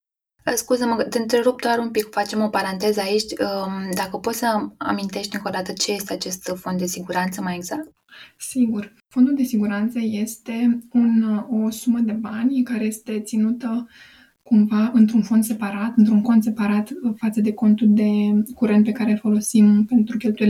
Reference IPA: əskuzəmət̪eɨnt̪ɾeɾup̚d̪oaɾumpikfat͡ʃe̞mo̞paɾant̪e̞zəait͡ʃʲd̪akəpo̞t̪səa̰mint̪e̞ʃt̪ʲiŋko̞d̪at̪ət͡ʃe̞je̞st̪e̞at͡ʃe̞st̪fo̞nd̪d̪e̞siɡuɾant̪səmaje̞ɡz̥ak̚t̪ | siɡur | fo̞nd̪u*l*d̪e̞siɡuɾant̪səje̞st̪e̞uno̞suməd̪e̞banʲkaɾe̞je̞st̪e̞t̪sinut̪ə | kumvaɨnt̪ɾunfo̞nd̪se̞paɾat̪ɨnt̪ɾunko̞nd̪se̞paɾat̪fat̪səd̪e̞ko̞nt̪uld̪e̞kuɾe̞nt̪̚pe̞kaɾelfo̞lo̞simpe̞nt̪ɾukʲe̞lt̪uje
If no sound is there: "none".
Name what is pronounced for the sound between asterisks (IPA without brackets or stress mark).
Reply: l